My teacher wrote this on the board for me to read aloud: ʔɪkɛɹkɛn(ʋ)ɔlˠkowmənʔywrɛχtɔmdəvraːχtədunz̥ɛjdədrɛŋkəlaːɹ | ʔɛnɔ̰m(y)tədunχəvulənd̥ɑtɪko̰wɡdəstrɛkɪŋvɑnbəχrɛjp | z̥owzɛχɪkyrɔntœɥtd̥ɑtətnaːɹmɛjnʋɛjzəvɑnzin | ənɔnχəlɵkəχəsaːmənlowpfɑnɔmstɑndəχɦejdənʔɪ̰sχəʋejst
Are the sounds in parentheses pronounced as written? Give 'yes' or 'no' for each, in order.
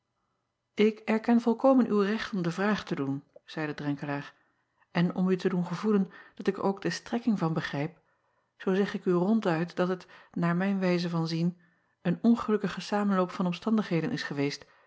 no, yes

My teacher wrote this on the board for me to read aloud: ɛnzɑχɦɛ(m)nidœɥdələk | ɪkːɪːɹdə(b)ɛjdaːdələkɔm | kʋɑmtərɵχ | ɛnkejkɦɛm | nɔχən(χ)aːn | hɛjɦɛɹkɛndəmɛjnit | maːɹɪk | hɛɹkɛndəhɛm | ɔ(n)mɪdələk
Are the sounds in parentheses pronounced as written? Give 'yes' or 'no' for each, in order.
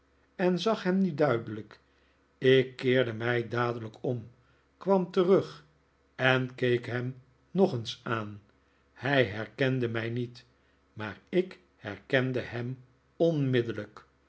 yes, no, no, yes

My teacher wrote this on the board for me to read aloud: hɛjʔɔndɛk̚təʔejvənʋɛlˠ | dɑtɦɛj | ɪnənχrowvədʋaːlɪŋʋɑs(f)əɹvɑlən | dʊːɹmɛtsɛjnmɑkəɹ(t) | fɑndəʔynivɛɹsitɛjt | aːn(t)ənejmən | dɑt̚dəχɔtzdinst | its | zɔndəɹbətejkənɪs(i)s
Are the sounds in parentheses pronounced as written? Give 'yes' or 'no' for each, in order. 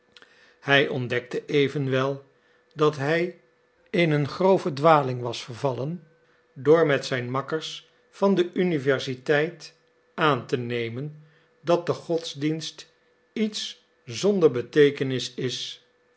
yes, no, yes, no

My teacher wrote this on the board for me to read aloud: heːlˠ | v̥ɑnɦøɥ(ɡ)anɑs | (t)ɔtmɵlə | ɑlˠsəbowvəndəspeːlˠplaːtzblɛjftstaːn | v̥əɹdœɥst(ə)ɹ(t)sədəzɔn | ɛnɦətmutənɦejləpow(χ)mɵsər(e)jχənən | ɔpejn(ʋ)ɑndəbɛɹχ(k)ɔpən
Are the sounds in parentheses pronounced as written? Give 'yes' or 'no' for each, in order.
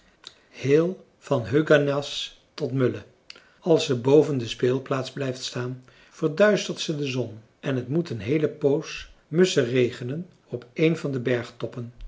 yes, yes, yes, yes, no, yes, no, no

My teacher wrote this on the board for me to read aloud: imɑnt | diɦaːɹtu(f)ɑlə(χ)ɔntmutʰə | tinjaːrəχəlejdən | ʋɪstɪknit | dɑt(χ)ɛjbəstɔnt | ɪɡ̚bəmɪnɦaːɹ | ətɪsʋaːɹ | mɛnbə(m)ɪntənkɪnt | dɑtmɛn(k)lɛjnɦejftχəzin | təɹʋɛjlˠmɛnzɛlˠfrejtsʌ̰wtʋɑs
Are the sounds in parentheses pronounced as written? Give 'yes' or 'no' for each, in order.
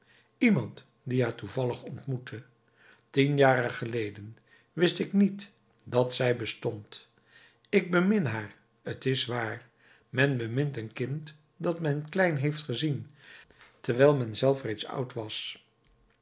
no, yes, no, yes, yes

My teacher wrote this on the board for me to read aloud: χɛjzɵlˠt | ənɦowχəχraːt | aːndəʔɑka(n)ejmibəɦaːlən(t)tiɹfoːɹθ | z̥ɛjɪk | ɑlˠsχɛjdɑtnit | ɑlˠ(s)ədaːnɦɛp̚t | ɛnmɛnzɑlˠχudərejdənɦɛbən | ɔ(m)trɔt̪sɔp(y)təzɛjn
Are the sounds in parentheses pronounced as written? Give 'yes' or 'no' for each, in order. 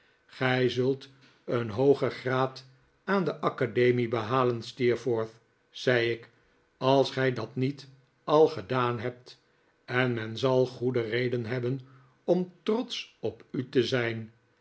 no, no, no, yes, yes

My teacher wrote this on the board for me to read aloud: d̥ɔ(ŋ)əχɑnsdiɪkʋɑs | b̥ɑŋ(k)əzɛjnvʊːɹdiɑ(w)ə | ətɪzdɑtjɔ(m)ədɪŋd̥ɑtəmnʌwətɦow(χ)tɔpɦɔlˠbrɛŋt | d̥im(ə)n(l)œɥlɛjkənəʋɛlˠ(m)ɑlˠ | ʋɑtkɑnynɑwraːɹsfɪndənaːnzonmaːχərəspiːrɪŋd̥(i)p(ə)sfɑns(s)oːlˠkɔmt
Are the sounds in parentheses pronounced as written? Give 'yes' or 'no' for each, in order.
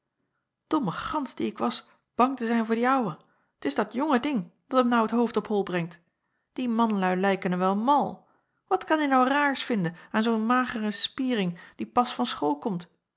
no, no, yes, no, no, no, yes, yes, yes, no, no

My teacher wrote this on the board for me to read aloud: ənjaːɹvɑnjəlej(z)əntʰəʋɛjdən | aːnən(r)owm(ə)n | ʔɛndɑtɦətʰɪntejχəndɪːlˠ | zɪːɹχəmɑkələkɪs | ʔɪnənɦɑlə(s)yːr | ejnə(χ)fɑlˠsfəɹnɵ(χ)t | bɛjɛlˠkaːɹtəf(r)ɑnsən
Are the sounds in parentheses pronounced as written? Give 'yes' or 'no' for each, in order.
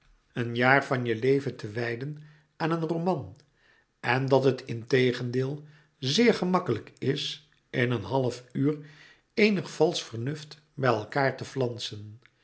no, yes, no, no, yes, no, no

